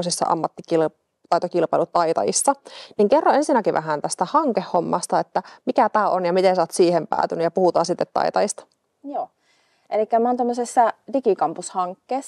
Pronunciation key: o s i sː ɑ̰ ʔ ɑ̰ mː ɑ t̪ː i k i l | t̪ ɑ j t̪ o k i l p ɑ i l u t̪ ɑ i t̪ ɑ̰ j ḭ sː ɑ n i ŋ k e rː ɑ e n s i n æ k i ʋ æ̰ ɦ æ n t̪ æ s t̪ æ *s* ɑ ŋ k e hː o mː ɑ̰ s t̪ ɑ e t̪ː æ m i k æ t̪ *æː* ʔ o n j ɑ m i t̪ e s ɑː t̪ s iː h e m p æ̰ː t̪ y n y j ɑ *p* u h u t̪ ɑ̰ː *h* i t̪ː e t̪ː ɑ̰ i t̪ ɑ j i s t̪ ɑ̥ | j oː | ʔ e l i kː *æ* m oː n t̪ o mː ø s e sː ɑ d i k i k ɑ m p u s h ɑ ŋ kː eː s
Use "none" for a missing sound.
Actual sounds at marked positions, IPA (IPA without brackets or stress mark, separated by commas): h, æː, p, s, æ